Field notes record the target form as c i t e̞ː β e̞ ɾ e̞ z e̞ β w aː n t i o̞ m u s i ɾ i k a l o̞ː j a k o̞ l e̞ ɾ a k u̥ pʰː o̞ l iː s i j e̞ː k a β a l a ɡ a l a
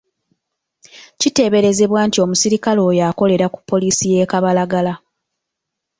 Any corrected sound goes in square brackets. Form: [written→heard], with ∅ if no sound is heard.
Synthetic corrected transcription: c i t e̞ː β e̞ ɾ e̞ z e̞ β w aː n t i o̞ m u s i ɾ i k a l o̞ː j a k o̞ l e̞ ɾ a k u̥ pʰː o̞ l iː s i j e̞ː k a β a l a ɡ a l a